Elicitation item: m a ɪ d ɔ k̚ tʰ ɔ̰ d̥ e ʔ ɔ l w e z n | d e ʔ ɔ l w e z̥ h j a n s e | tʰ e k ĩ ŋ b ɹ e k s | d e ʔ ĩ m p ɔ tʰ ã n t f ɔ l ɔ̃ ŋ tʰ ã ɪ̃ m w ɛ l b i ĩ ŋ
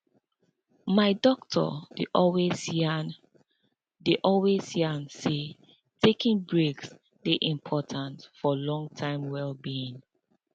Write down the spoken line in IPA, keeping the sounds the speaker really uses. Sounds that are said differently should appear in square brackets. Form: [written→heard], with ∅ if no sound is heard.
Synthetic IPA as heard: m a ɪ d ɔ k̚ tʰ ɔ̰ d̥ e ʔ ɔ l w e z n | d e ʔ ɔ l w e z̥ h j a n s e | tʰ e k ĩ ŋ b ɹ e k s | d e ʔ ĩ m [p→pʰ] ɔ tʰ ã n t f ɔ l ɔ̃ ŋ tʰ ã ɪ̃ m w ɛ l b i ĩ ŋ